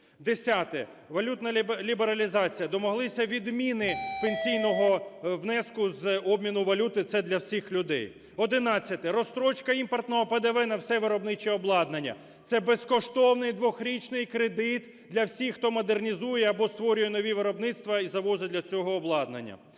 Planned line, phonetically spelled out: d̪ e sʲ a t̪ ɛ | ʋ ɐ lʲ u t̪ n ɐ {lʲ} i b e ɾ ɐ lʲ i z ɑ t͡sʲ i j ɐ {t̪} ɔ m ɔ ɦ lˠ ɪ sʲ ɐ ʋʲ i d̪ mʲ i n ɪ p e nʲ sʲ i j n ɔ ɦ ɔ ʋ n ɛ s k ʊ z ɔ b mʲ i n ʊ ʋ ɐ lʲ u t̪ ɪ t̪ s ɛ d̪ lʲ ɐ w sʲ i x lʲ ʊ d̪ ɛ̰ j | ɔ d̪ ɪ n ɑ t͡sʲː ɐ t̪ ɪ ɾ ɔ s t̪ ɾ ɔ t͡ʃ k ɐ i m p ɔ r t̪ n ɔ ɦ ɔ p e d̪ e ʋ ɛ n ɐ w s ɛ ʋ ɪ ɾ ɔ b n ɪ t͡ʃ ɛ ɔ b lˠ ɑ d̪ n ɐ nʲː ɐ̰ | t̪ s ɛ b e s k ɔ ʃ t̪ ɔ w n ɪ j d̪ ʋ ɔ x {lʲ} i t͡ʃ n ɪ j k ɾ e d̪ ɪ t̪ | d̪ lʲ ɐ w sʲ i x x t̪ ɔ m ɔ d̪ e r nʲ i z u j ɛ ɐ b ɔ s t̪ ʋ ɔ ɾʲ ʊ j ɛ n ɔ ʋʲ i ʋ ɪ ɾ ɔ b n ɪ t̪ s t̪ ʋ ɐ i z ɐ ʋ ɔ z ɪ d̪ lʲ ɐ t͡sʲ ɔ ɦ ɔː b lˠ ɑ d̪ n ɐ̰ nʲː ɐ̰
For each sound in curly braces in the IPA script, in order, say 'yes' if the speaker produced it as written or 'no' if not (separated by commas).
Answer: yes, no, no